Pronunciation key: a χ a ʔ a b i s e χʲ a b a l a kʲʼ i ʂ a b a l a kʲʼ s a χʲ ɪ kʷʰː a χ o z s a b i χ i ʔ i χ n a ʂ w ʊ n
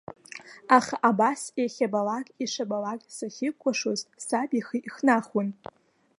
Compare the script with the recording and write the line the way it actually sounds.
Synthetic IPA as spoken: a χ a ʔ a b a s e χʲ a b a l a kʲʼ i ʂ a b a l a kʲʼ s a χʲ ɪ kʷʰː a ʂ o z s a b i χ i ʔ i χ n a χ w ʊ n